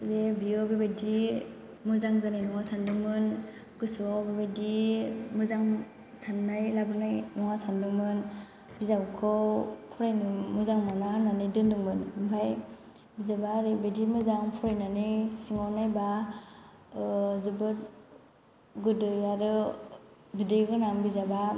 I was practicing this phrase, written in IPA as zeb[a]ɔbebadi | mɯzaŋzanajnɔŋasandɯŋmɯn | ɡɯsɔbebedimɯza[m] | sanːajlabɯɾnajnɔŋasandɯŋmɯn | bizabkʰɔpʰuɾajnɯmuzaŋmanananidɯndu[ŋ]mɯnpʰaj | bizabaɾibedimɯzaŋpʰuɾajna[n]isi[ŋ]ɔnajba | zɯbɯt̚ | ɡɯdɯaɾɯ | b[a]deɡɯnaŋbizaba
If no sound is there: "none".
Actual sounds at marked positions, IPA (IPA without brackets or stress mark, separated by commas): i, ŋ, ŋ, n, ŋ, i